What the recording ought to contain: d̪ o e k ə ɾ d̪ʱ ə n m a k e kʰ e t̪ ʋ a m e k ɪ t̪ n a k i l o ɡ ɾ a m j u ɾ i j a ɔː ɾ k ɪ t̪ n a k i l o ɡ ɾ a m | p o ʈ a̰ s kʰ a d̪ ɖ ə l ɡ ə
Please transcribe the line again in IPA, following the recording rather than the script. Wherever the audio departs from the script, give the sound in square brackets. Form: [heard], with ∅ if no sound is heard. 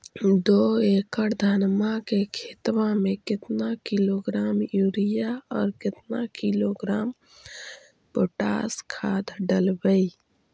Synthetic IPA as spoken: d̪ o e k ə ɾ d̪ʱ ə n m a k e kʰ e t̪ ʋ a m e k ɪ t̪ n a k i l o ɡ ɾ a m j u ɾ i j a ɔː ɾ k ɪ t̪ n a k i l o ɡ ɾ a m | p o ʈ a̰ s kʰ a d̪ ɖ ə l [b] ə